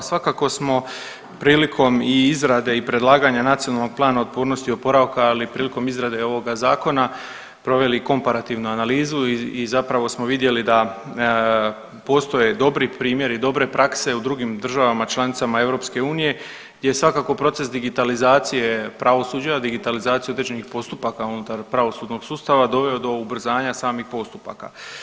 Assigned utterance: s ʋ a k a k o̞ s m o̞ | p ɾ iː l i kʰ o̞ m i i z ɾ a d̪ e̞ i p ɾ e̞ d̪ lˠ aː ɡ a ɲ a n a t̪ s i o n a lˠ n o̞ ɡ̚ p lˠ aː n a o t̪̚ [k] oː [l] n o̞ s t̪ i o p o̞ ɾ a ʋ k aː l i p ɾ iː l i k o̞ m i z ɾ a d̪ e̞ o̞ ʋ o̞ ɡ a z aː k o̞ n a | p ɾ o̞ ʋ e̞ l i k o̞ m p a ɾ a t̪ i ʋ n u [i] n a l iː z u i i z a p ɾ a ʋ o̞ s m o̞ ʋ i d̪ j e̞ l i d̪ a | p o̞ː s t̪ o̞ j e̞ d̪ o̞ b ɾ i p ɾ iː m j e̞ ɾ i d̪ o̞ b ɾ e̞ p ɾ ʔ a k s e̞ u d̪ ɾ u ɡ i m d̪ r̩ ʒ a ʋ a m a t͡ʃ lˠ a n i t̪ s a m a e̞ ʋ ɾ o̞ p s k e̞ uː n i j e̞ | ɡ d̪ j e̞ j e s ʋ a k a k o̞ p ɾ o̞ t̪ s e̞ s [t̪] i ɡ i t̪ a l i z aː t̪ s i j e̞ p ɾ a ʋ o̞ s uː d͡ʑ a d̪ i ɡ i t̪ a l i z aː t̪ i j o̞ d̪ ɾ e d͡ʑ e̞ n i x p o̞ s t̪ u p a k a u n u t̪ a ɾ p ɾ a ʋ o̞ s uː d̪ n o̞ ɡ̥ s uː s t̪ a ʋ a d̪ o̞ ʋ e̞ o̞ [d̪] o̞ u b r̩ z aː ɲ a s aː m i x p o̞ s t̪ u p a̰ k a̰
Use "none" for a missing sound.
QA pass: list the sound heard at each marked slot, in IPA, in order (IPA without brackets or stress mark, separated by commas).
p, ɾ, a, d̪, d̪